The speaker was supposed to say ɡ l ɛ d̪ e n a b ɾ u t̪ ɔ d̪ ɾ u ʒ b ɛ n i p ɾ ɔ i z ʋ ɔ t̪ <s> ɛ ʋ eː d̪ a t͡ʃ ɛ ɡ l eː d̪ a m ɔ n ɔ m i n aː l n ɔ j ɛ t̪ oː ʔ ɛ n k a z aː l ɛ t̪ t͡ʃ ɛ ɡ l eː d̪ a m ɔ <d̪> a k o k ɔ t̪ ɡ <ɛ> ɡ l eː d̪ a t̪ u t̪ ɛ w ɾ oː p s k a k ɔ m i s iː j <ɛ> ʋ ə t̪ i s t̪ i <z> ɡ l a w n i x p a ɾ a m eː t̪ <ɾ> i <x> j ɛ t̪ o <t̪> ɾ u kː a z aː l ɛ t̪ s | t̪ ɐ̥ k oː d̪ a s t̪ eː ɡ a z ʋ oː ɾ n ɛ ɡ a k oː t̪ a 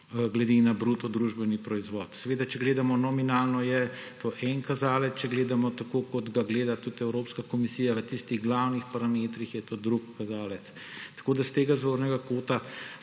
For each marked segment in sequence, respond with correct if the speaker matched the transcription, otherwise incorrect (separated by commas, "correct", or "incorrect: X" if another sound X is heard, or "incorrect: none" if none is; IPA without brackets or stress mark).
correct, incorrect: t̪, incorrect: a, incorrect: a, incorrect: ɣ, correct, correct, incorrect: d̪